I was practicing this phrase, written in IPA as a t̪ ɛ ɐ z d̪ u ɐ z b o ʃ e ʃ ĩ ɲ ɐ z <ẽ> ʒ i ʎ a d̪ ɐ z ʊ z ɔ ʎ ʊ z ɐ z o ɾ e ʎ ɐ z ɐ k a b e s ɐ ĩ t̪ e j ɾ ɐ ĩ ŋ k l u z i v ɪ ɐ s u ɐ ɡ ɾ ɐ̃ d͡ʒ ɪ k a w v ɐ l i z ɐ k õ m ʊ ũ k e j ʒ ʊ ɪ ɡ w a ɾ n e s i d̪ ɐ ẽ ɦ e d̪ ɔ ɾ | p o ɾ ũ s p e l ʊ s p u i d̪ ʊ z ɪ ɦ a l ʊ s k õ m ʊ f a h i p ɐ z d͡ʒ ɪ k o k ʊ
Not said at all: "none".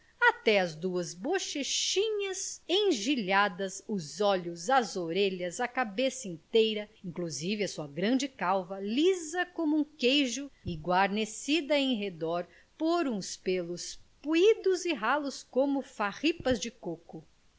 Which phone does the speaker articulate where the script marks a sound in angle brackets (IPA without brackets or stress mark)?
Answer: ẽ